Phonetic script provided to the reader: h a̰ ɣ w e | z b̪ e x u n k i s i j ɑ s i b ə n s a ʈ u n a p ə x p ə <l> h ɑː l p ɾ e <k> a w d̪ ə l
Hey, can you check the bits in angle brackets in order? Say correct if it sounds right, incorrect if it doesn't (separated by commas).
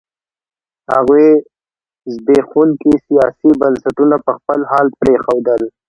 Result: correct, incorrect